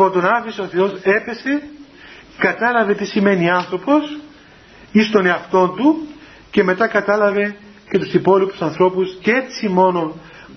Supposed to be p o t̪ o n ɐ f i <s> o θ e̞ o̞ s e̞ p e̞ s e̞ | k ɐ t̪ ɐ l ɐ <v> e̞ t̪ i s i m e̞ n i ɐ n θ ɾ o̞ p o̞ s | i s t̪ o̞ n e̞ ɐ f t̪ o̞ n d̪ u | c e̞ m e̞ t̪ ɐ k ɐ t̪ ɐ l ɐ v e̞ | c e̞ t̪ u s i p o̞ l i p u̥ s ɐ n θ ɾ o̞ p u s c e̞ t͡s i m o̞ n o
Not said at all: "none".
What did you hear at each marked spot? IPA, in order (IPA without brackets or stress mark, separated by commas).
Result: s, v